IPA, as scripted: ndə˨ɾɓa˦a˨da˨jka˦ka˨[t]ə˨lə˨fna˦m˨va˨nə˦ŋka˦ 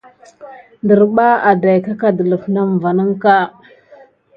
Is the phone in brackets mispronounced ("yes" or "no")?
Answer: yes